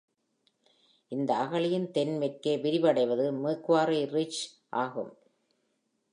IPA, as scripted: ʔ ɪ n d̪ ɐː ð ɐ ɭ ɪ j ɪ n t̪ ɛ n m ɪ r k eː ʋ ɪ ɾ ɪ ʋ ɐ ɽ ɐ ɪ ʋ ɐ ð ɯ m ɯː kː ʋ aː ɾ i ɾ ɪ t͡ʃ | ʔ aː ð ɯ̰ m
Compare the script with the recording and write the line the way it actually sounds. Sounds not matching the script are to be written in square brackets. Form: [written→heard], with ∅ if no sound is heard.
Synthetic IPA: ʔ ɪ n d̪ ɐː [ð→ɣ] ɐ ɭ ɪ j ɪ n t̪ ɛ n m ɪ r k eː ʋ ɪ ɾ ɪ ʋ ɐ ɽ ɐ ɪ ʋ ɐ ð ɯ m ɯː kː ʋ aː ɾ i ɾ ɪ t͡ʃ | ʔ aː [ð→ɣ] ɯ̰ m